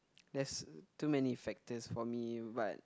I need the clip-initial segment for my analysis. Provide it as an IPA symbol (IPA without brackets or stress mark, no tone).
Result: d